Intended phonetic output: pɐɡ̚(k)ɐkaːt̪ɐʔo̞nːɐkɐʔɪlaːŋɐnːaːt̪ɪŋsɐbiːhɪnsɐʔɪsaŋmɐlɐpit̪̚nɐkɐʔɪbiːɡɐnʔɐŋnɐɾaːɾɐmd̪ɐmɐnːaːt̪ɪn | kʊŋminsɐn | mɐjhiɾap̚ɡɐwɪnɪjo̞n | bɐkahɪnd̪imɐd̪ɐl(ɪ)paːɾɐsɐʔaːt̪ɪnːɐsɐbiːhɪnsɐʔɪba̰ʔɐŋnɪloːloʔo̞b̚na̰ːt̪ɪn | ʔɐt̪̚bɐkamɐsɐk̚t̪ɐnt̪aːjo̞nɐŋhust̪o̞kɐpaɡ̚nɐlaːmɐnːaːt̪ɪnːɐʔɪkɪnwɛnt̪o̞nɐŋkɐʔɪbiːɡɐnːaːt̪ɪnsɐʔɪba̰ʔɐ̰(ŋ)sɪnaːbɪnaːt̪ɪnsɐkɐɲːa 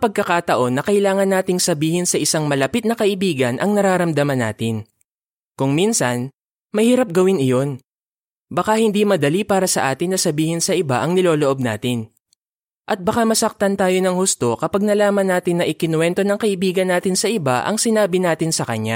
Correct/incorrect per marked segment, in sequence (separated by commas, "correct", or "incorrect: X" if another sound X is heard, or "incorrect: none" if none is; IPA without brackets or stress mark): correct, incorrect: i, correct